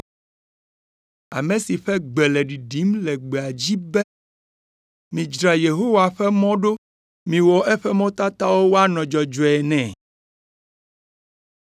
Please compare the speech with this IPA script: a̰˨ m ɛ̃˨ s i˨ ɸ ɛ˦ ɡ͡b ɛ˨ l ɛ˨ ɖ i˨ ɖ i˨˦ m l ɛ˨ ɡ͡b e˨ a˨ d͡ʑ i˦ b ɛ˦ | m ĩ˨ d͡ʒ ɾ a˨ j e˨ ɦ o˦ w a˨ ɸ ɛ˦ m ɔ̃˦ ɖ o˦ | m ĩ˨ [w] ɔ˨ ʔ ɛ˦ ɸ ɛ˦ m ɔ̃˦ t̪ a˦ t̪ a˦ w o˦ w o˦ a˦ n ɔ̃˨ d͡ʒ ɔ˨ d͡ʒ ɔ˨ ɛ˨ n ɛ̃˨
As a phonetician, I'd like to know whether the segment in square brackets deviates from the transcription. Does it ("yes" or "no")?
no